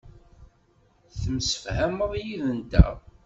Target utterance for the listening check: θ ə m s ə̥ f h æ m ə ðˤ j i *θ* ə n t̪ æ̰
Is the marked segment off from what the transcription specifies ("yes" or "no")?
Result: yes